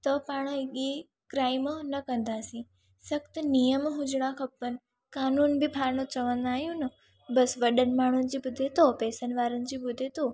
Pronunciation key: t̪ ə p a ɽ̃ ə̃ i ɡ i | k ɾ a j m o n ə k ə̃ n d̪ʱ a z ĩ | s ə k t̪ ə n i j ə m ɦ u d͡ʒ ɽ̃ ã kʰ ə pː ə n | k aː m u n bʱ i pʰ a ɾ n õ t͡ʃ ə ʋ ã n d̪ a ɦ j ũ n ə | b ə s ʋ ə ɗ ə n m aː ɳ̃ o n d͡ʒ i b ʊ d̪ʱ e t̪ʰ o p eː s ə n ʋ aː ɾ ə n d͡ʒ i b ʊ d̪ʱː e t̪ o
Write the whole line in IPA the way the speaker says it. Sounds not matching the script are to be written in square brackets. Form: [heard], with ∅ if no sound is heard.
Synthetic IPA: t̪ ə p a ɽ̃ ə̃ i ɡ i | k ɾ a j m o n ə k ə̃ n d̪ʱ a [s] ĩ | s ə k t̪ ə n i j ə m ɦ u d͡ʒ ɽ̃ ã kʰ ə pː ə n | k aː [n] u n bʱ i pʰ a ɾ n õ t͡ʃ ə ʋ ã n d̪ a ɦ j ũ n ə | b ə s ʋ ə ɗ ə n m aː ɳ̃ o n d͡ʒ i b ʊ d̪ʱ e [t̪] o p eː s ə n ʋ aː ɾ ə n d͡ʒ i b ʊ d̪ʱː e t̪ o

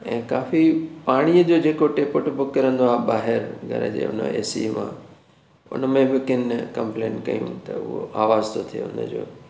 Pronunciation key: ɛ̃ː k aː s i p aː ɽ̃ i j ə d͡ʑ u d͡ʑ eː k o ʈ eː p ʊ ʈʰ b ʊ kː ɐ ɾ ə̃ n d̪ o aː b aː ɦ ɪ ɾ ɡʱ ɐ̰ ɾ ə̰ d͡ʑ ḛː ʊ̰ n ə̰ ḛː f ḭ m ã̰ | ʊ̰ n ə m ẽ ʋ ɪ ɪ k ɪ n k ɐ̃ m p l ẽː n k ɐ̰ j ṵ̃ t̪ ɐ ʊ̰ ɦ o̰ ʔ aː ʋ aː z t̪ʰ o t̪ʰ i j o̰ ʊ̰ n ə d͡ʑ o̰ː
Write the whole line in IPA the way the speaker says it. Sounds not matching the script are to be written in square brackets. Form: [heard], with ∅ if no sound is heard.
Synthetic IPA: ɛ̃ː k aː [f] i p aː ɽ̃ i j ə d͡ʑ [o] d͡ʑ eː k o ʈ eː p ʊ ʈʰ b ʊ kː ɐ ɾ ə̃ n d̪ o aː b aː ɦ ɪ ɾ ɡʱ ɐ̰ ɾ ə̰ d͡ʑ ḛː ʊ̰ n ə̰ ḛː [s] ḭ m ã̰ | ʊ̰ n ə m ẽ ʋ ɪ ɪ k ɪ n k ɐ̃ m p l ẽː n k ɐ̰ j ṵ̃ t̪ ɐ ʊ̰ ɦ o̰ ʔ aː ʋ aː z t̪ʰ o t̪ʰ i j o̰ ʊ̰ n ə d͡ʑ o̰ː

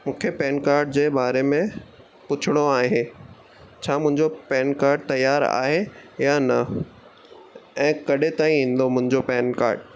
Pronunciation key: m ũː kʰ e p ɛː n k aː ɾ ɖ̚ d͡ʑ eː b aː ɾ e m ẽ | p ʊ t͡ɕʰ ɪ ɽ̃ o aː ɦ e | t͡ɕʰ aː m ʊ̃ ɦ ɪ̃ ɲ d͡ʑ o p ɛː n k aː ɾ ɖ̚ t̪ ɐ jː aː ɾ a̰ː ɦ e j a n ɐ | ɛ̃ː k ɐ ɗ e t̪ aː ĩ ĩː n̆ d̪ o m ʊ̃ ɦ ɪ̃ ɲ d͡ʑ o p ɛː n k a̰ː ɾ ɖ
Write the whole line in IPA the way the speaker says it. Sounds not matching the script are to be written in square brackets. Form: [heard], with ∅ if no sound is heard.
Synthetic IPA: m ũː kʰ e p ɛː n k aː ɾ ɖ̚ d͡ʑ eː b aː ɾ e m ẽ | p ʊ t͡ɕʰ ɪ ɽ̃ o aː ɦ e | t͡ɕʰ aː m ʊ̃ ɦ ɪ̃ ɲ d͡ʑ o p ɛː n k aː ɾ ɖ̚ t̪ ɐ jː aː ɾ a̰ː ɦ e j a n ɐ | ɛ̃ː k ɐ ɗ e t̪ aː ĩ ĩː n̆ d̪ o m ʊ̃ ɦ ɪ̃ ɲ d͡ʑ o p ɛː n k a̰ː ɾ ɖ

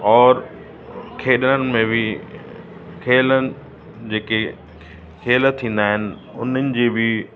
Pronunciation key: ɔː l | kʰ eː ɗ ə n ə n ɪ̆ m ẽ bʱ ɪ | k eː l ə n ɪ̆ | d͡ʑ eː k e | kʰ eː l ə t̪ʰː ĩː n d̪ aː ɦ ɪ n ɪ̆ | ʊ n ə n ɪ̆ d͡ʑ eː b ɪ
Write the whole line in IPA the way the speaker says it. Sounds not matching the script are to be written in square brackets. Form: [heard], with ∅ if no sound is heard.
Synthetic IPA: ɔː [ɾ] | kʰ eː ɗ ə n ə n ɪ̆ m ẽ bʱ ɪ | [kʰ] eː l ə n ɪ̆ | d͡ʑ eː k e | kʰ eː l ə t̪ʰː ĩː n d̪ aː ɦ ɪ n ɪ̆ | ʊ n ə n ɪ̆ d͡ʑ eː b ɪ

